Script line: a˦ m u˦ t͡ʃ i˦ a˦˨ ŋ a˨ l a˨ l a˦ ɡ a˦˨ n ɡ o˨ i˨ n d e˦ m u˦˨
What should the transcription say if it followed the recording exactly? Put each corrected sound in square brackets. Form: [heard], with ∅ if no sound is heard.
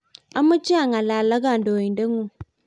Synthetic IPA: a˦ m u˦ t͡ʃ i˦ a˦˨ ŋ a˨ l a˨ l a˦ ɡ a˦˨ n [d] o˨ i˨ n d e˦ [ŋ] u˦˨